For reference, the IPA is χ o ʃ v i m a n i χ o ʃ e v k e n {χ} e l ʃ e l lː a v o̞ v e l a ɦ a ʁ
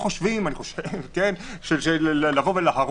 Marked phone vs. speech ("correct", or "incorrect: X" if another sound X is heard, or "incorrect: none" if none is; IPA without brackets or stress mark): incorrect: ʃ